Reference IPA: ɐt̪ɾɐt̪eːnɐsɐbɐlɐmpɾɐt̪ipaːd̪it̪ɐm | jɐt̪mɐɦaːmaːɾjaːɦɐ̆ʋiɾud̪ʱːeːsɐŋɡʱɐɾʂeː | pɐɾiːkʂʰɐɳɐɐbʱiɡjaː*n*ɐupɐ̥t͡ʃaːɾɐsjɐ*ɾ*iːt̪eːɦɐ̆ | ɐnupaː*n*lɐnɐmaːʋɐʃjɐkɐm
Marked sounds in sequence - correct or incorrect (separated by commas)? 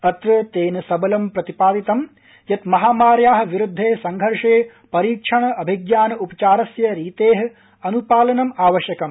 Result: correct, correct, incorrect